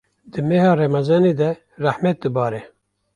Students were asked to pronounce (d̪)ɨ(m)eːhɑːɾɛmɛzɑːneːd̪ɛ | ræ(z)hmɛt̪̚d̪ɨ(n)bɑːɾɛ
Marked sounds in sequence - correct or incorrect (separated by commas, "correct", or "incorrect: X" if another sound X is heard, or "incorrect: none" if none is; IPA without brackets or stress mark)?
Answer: correct, correct, incorrect: none, incorrect: none